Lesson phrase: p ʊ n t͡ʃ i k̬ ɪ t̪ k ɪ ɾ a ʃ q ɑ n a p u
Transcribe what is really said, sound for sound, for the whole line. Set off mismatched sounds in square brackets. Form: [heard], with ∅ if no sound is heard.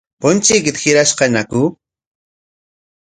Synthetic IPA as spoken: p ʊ n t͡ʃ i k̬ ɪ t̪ [x] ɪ ɾ a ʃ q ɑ n a [k] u